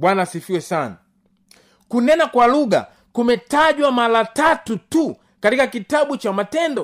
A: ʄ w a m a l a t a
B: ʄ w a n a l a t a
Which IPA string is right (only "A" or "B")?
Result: A